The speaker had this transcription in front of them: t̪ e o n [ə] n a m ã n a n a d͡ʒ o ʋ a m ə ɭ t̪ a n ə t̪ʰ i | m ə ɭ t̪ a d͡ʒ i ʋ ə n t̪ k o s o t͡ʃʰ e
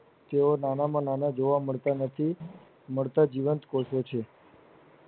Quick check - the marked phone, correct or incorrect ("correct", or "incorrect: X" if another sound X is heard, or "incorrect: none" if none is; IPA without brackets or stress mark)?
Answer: incorrect: a